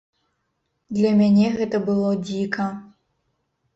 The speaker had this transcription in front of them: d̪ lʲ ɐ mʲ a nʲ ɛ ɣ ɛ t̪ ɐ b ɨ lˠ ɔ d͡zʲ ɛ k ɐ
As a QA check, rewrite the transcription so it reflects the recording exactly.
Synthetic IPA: d̪ lʲ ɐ mʲ a nʲ ɛ ɣ ɛ t̪ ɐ b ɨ lˠ ɔ d͡zʲ i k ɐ